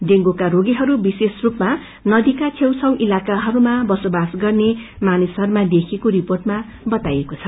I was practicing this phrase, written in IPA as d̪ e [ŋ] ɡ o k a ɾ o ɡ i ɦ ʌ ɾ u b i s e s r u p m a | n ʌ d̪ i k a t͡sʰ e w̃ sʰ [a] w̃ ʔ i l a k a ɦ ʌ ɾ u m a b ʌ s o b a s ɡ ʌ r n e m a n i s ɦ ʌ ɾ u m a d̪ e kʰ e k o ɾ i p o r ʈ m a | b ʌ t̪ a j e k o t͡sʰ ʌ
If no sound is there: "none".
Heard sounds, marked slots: ŋ, ʌ

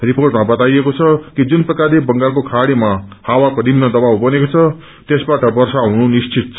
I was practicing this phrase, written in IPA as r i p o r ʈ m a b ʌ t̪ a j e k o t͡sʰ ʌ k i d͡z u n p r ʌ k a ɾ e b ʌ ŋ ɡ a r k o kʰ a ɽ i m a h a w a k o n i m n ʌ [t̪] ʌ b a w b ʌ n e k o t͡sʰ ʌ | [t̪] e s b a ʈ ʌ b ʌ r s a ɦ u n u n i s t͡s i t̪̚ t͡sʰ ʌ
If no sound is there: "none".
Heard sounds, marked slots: d̪, t̪

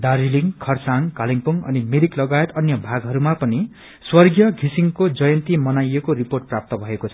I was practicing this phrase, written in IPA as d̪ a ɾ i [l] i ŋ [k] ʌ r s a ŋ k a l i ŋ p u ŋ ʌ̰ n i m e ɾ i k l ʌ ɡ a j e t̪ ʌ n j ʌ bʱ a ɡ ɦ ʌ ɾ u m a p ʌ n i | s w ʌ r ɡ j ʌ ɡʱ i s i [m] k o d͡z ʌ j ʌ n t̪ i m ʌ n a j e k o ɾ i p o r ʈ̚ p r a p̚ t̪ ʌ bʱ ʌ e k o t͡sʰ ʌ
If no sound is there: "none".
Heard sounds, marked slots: l, kʰ, ŋ

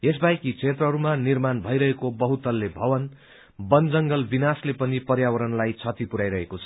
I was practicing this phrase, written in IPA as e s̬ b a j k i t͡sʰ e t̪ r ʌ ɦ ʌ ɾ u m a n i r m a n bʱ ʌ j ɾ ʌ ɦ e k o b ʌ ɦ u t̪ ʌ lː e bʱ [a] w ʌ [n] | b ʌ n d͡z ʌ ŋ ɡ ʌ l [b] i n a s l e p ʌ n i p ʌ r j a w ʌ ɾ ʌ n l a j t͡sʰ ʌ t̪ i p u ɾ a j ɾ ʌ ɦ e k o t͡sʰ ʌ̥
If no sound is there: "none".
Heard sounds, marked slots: ʌ, n, b

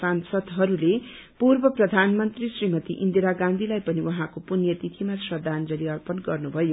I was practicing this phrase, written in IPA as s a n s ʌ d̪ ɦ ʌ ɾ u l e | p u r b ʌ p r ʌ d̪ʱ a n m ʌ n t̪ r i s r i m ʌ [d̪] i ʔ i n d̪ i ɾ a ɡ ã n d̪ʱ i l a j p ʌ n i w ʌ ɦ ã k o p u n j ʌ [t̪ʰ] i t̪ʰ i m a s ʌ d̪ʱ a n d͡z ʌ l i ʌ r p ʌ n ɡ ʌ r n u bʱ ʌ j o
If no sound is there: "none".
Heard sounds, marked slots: t̪, t̪

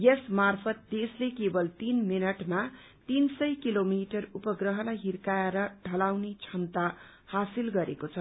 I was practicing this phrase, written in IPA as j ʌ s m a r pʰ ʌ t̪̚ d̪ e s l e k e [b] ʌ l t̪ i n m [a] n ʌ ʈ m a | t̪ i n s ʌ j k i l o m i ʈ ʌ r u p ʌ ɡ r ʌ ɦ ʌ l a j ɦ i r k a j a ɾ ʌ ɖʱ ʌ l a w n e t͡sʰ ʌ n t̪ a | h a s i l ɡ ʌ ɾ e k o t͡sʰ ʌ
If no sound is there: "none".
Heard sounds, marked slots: b, i

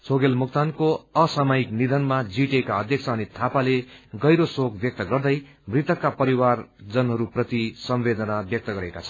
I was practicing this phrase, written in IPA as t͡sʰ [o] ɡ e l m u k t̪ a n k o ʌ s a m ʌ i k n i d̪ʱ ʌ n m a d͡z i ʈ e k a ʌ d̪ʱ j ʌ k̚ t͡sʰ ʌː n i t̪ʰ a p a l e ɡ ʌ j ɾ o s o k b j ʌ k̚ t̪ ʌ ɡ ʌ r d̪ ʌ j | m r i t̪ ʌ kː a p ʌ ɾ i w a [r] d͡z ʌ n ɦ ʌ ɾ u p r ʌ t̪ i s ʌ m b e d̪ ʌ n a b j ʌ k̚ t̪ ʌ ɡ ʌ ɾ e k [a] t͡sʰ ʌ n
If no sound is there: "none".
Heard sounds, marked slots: o, r, a

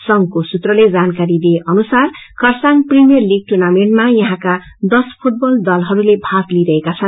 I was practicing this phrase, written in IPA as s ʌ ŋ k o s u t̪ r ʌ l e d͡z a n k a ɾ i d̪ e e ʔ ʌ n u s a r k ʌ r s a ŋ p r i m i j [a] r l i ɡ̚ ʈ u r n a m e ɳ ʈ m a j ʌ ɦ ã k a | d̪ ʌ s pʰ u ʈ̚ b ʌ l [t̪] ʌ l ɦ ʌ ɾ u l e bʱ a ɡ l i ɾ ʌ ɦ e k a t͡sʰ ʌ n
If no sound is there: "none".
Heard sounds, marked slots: ʌ, d̪

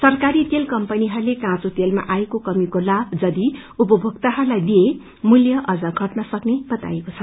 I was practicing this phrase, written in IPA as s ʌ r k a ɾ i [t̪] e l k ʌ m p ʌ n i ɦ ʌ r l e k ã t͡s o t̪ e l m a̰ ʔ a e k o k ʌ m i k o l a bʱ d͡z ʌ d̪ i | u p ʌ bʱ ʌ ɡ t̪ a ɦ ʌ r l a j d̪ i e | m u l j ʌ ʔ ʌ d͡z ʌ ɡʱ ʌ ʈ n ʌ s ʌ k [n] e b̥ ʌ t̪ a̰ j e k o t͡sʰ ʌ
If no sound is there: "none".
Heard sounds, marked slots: t̪, n

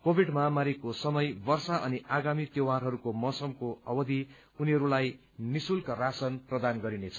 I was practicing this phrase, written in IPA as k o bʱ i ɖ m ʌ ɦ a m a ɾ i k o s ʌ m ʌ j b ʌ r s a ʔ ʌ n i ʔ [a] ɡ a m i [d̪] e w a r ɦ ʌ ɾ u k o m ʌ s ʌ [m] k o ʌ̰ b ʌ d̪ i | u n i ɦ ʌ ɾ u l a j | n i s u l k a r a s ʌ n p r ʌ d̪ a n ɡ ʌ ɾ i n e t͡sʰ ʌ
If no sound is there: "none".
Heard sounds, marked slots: a, t̪, m

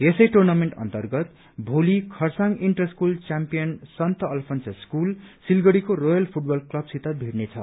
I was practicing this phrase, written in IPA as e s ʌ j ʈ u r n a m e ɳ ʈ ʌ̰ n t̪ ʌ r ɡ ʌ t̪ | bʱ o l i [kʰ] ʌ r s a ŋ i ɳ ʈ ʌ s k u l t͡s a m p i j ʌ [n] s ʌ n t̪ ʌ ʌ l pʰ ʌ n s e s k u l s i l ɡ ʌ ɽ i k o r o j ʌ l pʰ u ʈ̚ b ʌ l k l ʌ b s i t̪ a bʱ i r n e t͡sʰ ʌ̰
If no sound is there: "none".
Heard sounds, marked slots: kʰ, n

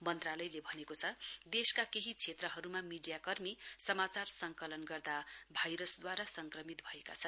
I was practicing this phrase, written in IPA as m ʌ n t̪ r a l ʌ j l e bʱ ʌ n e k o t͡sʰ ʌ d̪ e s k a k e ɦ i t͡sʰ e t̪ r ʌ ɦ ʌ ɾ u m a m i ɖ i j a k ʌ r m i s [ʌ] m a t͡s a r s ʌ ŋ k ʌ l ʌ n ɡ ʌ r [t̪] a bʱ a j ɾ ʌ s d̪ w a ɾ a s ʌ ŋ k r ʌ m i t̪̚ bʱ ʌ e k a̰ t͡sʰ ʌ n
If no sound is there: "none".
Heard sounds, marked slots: ʌ, d̪

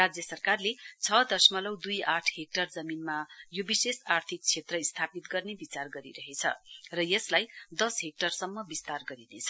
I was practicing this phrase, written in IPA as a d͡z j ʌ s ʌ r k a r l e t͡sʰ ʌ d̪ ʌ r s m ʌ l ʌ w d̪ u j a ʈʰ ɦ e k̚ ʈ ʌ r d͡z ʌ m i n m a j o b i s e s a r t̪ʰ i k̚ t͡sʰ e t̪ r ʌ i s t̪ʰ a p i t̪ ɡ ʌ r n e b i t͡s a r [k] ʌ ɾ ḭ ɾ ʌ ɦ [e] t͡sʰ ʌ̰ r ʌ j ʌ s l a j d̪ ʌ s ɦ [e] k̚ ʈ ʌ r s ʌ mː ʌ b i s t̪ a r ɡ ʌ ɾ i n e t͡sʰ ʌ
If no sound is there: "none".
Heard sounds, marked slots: ɡ, e, e

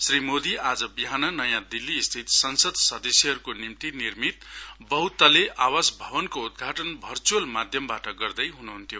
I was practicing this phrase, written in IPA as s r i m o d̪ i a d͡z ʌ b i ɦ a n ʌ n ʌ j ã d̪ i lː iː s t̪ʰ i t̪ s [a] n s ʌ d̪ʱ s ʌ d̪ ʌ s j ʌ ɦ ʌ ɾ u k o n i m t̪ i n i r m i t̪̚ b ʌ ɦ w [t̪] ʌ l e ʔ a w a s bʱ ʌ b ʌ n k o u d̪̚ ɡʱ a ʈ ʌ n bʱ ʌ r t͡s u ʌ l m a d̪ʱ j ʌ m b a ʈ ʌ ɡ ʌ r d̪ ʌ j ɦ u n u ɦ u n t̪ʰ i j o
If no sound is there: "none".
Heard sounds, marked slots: ʌ, t̪

